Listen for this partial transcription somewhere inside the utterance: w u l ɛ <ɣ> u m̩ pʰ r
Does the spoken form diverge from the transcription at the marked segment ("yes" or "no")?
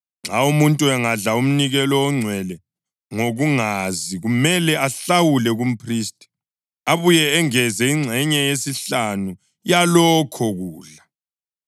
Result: no